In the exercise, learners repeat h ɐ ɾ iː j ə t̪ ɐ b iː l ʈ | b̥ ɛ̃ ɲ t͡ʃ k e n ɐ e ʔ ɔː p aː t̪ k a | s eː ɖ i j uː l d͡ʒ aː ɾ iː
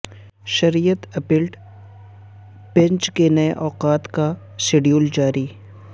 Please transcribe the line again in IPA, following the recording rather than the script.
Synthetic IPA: ʃ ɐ ɾ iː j ə t̪ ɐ p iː l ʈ | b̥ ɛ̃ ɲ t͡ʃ k e n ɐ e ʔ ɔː q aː t̪ k a | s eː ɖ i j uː l d͡ʒ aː ɾ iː